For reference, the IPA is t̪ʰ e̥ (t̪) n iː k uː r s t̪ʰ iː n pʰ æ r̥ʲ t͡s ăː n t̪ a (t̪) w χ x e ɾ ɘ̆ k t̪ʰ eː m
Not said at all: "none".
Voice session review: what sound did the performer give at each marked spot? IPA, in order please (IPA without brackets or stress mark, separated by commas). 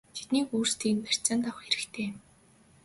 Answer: t̪, none